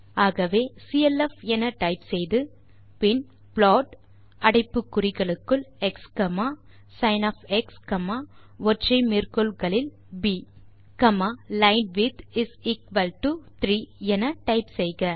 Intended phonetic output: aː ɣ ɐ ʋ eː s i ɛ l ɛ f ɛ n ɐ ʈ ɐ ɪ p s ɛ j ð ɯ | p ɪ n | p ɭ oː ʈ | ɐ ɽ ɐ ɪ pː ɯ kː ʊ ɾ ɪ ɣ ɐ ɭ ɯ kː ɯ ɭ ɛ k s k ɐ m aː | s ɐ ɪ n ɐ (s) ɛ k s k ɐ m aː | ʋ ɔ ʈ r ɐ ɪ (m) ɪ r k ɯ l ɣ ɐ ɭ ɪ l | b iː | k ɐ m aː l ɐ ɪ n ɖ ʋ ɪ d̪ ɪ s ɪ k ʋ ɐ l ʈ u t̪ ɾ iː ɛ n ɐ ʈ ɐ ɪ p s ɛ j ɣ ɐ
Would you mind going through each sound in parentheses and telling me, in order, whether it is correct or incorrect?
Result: incorrect: f, correct

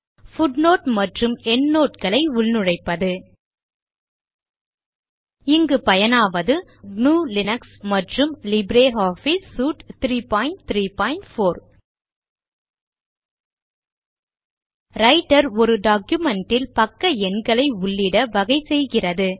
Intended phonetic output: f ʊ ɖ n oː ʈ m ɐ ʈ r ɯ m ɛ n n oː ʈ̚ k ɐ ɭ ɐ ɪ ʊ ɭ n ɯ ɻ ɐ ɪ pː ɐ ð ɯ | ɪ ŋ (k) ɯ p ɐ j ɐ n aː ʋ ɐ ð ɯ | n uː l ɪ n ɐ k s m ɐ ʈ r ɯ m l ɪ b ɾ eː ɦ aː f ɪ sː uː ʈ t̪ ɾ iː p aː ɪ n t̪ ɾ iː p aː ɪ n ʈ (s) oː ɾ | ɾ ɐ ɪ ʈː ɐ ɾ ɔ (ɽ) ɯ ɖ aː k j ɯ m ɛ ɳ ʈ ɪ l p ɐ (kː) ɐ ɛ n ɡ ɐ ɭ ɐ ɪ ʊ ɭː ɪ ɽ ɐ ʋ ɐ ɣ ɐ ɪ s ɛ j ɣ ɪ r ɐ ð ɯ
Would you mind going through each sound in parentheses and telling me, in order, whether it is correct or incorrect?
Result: incorrect: ɡ, incorrect: f, incorrect: ɾ, correct

